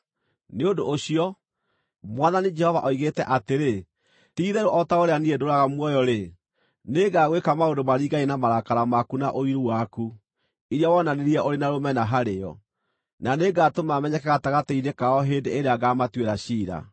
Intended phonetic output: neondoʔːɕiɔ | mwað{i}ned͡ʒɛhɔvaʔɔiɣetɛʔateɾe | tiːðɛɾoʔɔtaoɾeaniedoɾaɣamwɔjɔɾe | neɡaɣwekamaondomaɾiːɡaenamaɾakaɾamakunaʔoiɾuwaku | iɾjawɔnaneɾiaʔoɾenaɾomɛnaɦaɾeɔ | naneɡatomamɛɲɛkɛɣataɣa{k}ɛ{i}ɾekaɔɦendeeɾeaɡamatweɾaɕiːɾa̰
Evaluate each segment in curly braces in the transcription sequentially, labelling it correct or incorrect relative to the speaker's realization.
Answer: incorrect: a, incorrect: t, correct

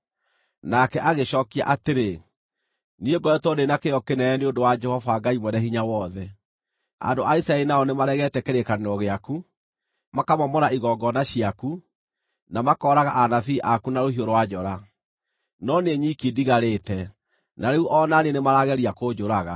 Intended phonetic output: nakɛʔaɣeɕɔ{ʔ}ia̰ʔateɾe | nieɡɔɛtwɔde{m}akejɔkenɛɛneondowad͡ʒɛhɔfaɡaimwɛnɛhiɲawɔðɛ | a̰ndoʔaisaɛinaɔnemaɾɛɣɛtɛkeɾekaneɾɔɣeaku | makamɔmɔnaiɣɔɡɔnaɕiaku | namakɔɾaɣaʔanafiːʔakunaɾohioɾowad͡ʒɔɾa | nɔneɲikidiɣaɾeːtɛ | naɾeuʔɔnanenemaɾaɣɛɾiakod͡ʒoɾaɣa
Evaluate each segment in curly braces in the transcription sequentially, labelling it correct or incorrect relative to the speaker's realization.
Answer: incorrect: k, incorrect: n

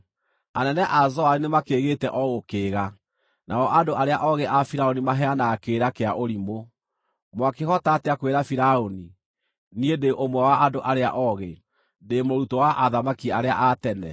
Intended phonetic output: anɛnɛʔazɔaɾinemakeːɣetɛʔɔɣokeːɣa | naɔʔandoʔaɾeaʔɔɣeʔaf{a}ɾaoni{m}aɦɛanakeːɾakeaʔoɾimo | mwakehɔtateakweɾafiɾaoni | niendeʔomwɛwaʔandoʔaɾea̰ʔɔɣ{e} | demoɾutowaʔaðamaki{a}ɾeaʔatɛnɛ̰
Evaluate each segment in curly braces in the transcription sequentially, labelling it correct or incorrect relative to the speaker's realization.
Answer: incorrect: i, correct, correct, correct

